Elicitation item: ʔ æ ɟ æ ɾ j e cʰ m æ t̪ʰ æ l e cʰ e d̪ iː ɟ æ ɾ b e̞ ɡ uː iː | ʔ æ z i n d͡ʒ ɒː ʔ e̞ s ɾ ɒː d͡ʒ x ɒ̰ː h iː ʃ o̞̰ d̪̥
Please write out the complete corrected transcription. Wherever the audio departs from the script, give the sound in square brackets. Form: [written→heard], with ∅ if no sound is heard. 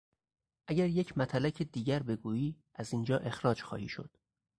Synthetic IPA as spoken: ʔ æ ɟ æ ɾ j e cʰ m æ t̪ʰ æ l [e→æ] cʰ e d̪ iː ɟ æ ɾ b e̞ ɡ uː iː | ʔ æ z i n d͡ʒ ɒː ʔ e̞ [s→x] ɾ ɒː d͡ʒ x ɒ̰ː h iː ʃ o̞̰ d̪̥